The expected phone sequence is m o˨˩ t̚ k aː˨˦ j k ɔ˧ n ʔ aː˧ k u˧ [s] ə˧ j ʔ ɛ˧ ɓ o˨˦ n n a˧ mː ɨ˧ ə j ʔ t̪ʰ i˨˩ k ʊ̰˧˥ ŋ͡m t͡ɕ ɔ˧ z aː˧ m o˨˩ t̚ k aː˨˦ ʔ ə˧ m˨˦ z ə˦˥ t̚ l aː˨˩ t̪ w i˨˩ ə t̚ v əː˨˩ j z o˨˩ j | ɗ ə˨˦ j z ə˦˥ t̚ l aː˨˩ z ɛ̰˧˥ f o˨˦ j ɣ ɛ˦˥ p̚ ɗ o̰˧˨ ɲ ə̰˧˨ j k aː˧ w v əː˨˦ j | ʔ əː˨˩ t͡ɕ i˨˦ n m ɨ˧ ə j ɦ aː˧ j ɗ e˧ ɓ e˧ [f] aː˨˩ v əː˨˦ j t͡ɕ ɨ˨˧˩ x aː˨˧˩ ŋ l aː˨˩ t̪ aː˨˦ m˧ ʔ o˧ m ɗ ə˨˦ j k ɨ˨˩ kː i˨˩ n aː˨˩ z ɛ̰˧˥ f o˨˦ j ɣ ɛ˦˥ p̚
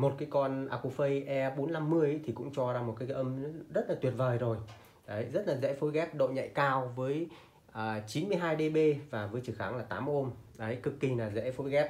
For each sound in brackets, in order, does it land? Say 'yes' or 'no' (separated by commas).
no, no